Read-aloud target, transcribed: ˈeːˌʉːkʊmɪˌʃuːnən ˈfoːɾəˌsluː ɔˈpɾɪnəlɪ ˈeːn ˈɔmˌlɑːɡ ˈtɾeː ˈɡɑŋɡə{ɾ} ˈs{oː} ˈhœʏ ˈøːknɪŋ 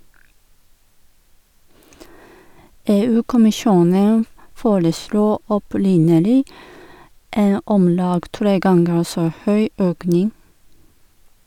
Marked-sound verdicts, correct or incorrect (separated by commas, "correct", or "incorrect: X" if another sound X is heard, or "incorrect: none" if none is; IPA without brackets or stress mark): correct, correct